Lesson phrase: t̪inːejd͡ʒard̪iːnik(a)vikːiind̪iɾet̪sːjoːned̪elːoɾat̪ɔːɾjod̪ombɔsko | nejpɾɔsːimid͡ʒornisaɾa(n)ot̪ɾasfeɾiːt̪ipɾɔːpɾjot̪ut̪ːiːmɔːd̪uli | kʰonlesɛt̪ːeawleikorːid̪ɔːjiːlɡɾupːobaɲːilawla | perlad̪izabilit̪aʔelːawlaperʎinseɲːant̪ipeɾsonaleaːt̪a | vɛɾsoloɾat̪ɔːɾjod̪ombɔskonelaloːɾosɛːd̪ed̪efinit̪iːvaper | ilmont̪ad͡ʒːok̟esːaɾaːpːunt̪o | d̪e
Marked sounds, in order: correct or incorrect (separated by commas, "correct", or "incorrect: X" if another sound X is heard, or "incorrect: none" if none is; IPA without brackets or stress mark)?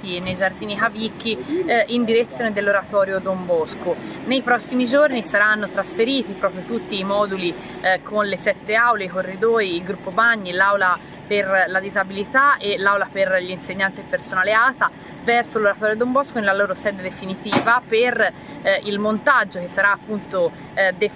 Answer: correct, incorrect: nː